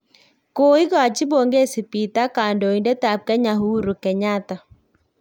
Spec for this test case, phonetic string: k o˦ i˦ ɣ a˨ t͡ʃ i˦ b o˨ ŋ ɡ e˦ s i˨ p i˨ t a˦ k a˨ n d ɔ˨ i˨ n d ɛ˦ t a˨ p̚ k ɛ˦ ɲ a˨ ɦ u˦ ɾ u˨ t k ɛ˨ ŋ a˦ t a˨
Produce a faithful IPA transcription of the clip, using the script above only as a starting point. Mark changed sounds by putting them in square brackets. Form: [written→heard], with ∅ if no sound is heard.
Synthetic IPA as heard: k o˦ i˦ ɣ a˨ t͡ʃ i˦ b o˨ ŋ ɡ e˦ s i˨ p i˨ t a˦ k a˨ n d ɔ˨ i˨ n d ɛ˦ t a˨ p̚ k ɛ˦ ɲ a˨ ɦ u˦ ɾ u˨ [t→∅] k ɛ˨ [ŋ→ɲ] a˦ t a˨